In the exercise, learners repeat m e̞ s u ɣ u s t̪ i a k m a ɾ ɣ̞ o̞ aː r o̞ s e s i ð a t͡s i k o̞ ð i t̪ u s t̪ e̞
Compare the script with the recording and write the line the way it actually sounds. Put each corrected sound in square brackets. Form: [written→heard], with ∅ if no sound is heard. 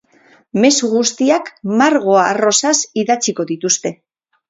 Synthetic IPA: m e̞ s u ɣ u s t̪ i a k m a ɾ ɣ̞ o̞ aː r o̞ s [e→a] s i ð a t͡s i k o̞ ð i t̪ u s t̪ e̞